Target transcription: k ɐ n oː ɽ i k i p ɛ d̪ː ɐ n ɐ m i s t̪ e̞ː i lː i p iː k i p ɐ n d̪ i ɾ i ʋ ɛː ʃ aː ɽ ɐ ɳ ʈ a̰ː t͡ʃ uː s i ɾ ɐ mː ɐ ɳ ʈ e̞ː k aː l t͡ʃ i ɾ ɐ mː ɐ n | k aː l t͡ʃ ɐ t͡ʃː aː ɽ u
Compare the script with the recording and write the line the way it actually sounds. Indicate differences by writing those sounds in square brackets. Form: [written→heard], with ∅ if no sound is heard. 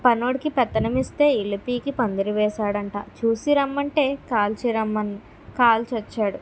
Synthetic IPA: [k→p] ɐ n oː ɽ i k i p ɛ [d̪ː→t̪ː] ɐ n ɐ m i s t̪ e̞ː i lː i p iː k i p ɐ n d̪ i ɾ i ʋ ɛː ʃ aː ɽ ɐ ɳ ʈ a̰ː t͡ʃ uː s i ɾ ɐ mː ɐ ɳ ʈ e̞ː k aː l t͡ʃ i ɾ ɐ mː ɐ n | k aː l t͡ʃ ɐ t͡ʃː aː ɽ u